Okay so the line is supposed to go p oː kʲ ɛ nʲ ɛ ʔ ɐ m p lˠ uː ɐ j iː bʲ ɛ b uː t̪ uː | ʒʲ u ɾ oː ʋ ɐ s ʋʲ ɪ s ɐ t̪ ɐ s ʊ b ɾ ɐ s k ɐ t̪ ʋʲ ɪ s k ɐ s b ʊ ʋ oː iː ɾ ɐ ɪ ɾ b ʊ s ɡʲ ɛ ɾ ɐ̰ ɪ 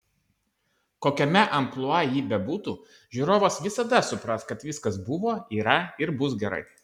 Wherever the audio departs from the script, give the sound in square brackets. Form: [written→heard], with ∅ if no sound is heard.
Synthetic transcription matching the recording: [p→k] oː kʲ ɛ [nʲ→mʲ] ɛ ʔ ɐ m p lˠ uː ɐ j iː bʲ ɛ b uː t̪ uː | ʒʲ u ɾ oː ʋ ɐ s ʋʲ ɪ s ɐ [t̪→d̪] ɐ s ʊ [b→p] ɾ ɐ s k ɐ t̪ ʋʲ ɪ s k ɐ s b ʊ ʋ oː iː ɾ ɐ ɪ ɾ b ʊ s ɡʲ ɛ ɾ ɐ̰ ɪ